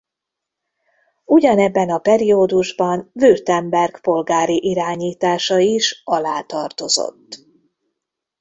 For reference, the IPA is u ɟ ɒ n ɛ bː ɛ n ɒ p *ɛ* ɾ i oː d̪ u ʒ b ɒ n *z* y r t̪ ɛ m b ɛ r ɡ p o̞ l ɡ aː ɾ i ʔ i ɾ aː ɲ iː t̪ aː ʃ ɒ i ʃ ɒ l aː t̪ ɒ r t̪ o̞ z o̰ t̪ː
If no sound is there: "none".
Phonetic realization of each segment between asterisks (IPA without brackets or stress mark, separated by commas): ɛ, v